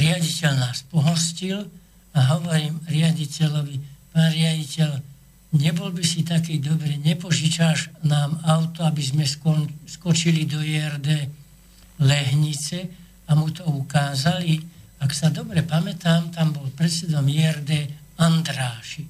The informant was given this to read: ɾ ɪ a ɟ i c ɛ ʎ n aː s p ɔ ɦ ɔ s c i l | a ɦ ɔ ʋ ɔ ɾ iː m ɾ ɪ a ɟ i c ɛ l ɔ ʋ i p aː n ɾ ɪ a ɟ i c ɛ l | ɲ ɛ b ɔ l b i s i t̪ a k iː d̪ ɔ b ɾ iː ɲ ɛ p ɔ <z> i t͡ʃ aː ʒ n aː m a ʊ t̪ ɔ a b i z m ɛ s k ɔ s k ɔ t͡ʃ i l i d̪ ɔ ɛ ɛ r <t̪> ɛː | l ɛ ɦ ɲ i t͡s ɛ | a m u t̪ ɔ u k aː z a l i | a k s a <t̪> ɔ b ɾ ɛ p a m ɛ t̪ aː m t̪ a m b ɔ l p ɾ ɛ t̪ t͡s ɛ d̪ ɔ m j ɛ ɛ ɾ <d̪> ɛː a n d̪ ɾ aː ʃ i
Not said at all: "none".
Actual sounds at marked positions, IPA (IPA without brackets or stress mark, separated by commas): ʒ, d̪, d̪, d̪